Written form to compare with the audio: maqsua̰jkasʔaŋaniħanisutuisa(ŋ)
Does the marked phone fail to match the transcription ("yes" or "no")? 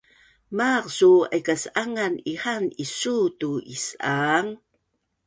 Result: no